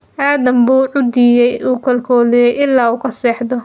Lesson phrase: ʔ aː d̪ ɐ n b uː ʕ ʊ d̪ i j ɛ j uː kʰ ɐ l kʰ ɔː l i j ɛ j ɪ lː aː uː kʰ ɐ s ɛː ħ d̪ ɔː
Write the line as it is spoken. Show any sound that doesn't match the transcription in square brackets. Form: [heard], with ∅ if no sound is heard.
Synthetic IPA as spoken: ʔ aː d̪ ɐ [m] b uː ʕ ʊ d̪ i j ɛ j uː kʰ ɐ l kʰ ɔː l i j ɛ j ɪ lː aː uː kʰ ɐ s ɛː ħ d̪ [ɔ]

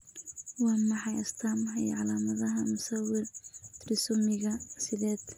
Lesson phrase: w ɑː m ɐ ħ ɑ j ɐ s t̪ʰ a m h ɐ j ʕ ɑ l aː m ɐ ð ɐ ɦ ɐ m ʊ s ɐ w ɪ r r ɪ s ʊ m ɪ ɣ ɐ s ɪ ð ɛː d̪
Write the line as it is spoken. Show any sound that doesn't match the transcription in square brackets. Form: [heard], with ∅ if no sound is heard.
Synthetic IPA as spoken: w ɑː m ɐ ħ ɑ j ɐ s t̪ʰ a m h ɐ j ʕ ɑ l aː m ɐ ð ɐ ɦ ɐ m ʊ s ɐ w ɪ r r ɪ s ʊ m ɪ ɣ ɐ s ɪ ð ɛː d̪

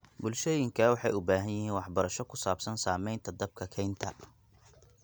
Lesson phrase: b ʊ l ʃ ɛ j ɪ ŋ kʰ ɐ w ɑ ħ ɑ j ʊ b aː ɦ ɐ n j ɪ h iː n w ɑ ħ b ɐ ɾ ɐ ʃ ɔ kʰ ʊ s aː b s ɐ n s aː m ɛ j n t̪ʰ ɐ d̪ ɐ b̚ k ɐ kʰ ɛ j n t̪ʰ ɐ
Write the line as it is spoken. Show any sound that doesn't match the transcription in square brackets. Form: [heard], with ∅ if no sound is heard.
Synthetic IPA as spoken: b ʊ l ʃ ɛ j ɪ ŋ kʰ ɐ w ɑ ħ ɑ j ʊ b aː ɦ ɐ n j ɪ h iː n w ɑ ħ b ɐ ɾ ɐ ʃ ɔ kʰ ʊ s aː b s ɐ n s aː m ɛ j n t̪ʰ ɐ d̪ ɐ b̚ [kʰ] ɐ kʰ ɛ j n t̪ʰ ɐ

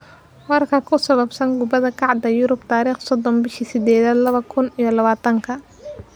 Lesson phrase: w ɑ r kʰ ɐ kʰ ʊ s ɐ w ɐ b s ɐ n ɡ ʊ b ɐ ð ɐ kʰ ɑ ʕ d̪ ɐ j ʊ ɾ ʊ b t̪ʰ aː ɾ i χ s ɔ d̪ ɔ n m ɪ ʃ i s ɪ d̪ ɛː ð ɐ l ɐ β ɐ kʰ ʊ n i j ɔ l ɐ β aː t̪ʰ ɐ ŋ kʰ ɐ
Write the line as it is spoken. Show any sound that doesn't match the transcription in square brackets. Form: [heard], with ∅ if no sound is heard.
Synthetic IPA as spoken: w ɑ r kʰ ɐ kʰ ʊ s ɐ [β] ɐ b s ɐ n ɡ ʊ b ɐ ð ɐ kʰ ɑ ʕ d̪ ɐ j ʊ ɾ ʊ b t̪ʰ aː ɾ [iː] χ s ɔ d̪ ɔ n [b] ɪ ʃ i s ɪ d̪ ɛː ð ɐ l ɐ β ɐ kʰ ʊ n i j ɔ l ɐ β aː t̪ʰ ɐ ŋ kʰ ɐ

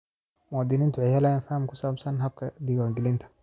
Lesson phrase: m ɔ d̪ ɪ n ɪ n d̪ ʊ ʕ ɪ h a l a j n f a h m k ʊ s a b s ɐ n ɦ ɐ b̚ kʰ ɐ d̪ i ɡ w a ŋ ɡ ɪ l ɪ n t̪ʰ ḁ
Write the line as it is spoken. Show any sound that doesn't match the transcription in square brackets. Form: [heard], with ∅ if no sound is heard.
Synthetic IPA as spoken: m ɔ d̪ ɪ n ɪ n [t̪] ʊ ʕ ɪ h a l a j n f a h m k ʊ s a b s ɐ n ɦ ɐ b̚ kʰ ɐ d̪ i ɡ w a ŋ ɡ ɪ l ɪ n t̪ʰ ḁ

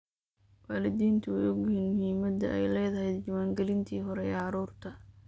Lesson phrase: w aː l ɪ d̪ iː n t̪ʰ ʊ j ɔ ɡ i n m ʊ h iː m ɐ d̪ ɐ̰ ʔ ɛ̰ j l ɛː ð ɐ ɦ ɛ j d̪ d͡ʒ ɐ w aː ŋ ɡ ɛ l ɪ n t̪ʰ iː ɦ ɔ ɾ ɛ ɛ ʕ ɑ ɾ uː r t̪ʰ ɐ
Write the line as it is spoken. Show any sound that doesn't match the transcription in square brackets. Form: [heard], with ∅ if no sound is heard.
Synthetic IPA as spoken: w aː l ɪ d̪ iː n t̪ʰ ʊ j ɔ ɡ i n m ʊ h iː m ɐ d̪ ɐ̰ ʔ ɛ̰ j l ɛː ð ɐ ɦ ɛ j d̪ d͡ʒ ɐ w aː ŋ ɡ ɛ l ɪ n t̪ʰ iː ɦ ɔ ɾ ɛ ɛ ʕ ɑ ɾ uː r t̪ʰ ɐ

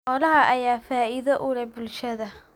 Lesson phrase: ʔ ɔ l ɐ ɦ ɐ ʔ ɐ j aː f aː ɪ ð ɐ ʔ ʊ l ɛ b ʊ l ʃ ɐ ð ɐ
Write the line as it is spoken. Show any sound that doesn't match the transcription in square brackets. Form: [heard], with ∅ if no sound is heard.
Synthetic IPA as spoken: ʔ ɔ l ɐ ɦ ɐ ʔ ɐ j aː f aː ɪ ð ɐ ʔ ʊ l ɛ b ʊ l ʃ ɐ ð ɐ

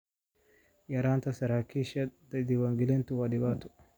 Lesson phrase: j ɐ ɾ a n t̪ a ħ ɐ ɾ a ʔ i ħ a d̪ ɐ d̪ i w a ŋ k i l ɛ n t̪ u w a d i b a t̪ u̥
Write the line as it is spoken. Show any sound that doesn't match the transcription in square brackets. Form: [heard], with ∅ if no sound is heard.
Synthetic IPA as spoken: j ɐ ɾ a n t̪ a [s] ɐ ɾ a [k] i [ʃ] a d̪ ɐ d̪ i w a ŋ [ɡ] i l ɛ n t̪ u w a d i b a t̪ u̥

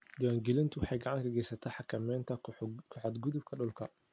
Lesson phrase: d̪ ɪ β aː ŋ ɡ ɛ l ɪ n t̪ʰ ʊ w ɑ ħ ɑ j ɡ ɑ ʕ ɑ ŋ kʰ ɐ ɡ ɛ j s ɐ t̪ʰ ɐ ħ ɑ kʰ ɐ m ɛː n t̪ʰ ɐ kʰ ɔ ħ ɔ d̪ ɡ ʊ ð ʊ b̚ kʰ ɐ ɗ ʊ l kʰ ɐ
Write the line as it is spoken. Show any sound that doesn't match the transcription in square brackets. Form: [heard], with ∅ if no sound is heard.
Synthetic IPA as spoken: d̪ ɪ [w] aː ŋ ɡ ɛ l ɪ n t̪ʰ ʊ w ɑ ħ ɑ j ɡ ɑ ʕ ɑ ŋ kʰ ɐ ɡ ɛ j s ɐ t̪ʰ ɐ ħ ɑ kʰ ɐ m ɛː n t̪ʰ ɐ kʰ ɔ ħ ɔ d̪ ɡ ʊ ð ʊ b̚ kʰ ɐ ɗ ʊ l kʰ ɐ

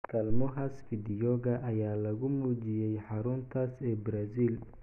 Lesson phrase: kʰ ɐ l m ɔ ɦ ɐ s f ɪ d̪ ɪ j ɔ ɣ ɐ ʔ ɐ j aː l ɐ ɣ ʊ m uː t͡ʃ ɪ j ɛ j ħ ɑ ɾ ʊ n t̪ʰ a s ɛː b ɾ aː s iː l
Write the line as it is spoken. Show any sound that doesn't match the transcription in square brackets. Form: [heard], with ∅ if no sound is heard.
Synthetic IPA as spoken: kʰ ɐ l m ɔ ɦ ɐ s f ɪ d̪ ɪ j ɔ ɣ ɐ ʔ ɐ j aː l ɐ ɣ ʊ m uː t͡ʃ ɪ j ɛ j ħ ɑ ɾ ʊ n t̪ʰ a s ɛː b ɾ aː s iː l

